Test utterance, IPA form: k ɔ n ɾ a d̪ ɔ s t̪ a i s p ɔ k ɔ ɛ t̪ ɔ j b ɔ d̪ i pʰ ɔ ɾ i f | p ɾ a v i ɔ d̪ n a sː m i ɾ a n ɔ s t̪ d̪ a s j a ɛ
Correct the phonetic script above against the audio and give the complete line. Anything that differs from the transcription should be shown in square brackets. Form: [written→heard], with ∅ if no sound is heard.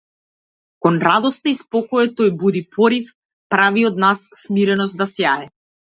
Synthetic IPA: k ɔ n ɾ a d̪ ɔ s t̪ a i s p ɔ k ɔ ɛ t̪ ɔ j b [ɔ→u] d̪ i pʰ ɔ ɾ i f | p ɾ a v i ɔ d̪ n a sː m i ɾ [a→ɛ] n ɔ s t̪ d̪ a s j a ɛ